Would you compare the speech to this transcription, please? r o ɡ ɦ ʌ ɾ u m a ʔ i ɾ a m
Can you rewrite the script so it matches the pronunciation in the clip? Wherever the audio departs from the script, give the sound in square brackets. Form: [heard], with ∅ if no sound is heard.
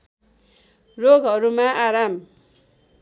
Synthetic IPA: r o ɡ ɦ ʌ ɾ u m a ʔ [a] ɾ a m